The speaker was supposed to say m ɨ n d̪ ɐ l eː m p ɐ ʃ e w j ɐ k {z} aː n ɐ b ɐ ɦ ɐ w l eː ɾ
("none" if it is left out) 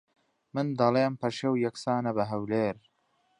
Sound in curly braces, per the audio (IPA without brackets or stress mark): s